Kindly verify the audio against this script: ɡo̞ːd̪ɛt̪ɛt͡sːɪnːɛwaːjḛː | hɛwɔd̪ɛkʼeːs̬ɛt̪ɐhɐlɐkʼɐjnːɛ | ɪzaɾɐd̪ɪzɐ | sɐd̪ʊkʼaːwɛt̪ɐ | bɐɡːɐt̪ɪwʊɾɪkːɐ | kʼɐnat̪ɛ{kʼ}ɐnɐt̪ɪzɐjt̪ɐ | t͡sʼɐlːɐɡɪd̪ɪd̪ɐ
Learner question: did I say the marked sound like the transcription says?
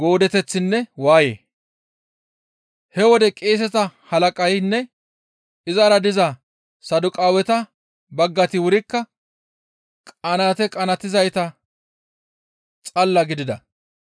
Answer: yes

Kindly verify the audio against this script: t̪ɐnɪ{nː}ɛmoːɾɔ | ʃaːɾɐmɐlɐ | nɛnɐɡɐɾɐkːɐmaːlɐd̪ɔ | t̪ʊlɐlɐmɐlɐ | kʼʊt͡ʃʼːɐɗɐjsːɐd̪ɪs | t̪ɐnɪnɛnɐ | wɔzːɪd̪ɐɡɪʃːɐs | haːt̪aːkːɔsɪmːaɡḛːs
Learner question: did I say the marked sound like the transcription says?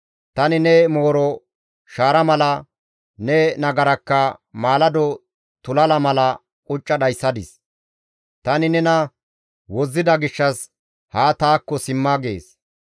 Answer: no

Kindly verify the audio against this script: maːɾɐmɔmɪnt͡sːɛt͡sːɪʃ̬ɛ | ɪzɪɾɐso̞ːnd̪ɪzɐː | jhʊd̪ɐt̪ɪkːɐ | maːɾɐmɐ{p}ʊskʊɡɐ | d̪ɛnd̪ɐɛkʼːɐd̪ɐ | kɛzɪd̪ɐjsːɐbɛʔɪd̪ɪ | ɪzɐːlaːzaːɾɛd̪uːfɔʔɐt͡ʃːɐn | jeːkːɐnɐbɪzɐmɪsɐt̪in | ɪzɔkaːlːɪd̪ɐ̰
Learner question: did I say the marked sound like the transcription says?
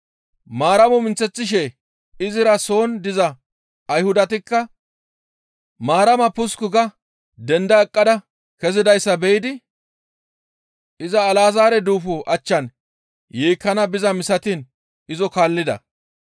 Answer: yes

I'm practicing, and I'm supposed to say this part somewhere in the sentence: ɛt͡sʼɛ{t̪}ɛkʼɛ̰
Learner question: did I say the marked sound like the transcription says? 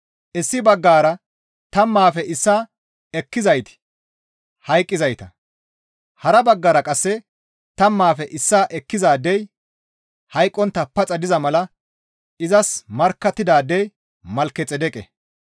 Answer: no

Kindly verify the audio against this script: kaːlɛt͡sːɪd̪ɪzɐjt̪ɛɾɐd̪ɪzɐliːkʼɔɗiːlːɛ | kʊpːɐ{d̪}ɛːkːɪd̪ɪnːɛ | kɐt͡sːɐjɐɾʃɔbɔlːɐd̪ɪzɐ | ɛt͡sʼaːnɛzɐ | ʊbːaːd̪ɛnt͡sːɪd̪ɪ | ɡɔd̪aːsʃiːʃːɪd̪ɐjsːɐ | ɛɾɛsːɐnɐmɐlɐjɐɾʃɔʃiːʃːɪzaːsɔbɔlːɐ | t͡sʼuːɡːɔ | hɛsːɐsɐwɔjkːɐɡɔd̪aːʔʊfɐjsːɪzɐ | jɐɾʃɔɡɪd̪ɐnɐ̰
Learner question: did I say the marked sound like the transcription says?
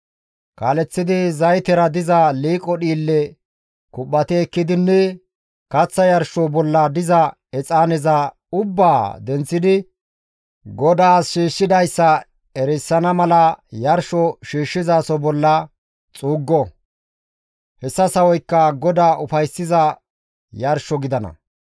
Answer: no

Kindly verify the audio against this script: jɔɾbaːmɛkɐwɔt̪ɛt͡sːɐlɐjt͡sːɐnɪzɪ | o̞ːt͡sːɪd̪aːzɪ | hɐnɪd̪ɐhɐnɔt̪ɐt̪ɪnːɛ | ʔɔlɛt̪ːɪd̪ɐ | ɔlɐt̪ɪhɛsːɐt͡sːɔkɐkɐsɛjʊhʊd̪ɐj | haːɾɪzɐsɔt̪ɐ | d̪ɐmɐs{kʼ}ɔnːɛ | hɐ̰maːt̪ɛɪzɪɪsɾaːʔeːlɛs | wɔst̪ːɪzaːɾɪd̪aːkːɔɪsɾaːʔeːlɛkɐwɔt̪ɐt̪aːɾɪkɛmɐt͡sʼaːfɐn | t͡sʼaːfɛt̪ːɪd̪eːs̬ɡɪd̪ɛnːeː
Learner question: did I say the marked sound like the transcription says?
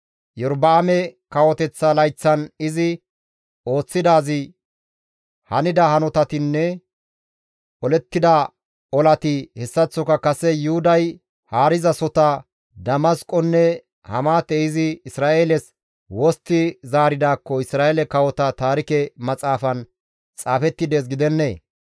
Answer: yes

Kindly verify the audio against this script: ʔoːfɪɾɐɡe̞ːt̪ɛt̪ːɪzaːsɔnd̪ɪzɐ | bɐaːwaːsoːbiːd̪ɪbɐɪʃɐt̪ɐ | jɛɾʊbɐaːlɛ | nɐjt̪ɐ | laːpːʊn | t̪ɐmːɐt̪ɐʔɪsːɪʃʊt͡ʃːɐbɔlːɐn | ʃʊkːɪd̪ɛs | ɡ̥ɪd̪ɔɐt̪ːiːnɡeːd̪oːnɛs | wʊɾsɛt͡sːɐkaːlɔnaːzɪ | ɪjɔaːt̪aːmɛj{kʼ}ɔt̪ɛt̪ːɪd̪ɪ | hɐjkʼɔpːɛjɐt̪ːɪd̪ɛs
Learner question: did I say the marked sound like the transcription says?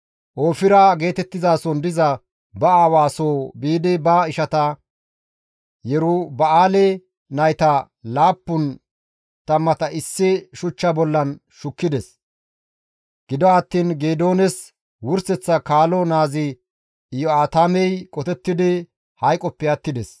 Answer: yes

